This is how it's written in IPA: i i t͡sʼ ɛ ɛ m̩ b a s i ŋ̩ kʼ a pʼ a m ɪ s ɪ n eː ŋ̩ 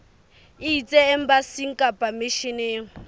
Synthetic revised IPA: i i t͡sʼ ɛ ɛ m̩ b a s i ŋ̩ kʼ a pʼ a m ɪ ʃ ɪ n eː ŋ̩